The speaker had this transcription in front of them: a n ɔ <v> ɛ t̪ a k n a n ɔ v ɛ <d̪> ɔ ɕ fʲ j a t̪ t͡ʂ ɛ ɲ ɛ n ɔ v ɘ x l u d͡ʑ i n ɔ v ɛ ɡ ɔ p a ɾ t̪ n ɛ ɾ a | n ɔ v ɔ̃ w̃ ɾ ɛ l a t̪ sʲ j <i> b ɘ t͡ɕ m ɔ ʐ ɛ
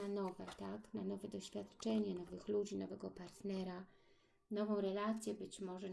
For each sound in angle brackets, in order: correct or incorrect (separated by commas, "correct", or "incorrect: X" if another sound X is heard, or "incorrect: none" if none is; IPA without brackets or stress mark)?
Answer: correct, correct, incorrect: ɛ